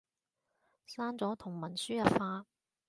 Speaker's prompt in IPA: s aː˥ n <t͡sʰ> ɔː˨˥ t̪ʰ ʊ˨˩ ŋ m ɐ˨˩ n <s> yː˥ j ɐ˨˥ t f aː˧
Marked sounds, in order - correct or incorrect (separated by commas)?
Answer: incorrect, correct